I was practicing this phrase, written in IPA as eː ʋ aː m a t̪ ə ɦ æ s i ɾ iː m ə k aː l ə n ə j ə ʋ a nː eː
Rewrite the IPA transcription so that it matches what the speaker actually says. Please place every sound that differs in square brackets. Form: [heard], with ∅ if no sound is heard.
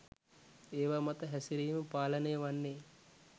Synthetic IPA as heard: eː ʋ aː m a t̪ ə ɦ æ s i ɾ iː m ə [p] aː l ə n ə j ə ʋ a nː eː